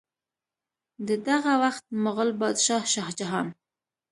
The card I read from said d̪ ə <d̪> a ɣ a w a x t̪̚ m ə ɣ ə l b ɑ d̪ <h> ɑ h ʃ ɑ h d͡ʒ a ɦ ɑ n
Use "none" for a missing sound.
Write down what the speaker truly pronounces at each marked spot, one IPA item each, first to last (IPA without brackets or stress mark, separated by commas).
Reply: d̪, ʃ